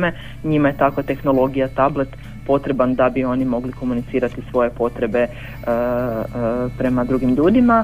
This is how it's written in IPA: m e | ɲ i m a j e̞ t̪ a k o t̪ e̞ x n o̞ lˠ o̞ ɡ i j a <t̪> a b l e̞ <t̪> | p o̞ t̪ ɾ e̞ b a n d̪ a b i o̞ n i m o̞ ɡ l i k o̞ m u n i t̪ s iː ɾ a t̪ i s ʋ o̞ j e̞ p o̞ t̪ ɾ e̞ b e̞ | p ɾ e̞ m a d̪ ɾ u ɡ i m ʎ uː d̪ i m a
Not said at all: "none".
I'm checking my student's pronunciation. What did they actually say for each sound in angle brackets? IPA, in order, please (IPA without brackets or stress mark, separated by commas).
t̪, t̪